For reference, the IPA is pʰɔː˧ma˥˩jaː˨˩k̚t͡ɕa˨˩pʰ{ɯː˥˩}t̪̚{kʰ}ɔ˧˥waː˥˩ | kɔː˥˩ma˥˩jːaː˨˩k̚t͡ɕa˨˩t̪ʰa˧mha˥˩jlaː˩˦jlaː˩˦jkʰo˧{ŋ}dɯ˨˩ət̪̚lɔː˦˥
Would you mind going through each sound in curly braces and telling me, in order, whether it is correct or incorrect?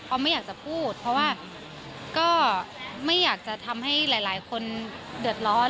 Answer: incorrect, incorrect, incorrect

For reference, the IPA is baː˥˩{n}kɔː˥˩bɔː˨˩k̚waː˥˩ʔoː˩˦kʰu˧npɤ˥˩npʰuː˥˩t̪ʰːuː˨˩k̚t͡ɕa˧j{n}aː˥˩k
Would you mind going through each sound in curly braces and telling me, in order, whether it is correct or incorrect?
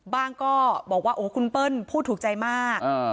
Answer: incorrect, incorrect

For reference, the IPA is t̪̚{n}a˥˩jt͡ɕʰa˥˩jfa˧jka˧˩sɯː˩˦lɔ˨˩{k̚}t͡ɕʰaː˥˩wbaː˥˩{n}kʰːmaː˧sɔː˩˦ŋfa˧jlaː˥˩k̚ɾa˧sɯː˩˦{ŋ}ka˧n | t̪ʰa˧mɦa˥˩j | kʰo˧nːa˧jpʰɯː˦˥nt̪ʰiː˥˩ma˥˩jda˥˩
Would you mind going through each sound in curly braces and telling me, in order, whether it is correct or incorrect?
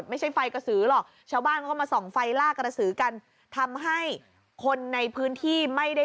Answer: incorrect, correct, correct, incorrect

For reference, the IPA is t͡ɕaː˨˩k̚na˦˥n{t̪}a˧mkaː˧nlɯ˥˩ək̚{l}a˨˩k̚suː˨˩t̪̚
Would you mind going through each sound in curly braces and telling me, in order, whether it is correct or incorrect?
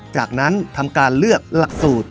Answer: incorrect, correct

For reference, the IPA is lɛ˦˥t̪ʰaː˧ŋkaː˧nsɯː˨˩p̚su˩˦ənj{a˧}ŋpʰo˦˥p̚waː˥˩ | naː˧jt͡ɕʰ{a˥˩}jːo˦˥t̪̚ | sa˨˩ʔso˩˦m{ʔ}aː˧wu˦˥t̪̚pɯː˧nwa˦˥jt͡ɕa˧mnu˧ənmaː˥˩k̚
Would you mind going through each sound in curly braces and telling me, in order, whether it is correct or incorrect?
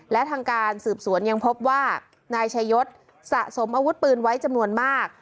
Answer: correct, incorrect, correct

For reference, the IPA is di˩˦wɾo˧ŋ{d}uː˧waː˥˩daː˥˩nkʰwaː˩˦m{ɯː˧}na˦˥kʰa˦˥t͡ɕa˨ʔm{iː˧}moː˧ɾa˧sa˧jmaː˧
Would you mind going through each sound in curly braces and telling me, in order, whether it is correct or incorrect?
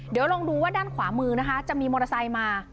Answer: correct, correct, correct

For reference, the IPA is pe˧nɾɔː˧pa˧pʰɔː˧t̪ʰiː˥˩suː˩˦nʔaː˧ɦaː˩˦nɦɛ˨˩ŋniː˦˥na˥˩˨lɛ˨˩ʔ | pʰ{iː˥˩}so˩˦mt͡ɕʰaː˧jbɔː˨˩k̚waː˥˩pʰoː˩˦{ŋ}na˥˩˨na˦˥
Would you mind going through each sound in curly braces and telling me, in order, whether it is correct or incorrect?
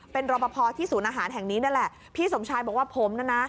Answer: correct, incorrect

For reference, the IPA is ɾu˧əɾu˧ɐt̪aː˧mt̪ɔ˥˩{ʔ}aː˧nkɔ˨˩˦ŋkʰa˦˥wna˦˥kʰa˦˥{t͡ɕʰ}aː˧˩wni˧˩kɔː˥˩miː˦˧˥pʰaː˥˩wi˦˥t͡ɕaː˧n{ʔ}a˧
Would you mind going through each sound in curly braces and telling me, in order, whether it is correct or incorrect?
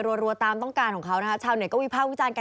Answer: incorrect, correct, incorrect

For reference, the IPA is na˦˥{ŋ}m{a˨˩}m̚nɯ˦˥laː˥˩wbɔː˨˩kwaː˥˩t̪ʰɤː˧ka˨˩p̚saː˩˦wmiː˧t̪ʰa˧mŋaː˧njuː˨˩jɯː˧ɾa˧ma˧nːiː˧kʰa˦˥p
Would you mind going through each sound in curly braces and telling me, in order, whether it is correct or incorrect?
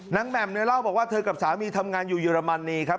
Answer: correct, incorrect

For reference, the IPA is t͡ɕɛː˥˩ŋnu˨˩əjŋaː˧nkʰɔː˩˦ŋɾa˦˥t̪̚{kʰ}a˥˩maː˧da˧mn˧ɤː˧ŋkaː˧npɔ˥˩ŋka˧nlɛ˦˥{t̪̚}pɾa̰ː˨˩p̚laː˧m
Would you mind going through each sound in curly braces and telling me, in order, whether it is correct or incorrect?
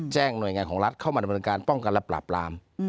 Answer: correct, incorrect

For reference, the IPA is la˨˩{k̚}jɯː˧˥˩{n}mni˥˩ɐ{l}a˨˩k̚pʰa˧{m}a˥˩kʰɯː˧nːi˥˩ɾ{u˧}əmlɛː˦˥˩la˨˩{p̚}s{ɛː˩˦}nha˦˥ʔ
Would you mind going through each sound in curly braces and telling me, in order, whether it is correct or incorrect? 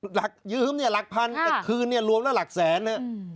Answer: correct, incorrect, correct, incorrect, correct, incorrect, correct

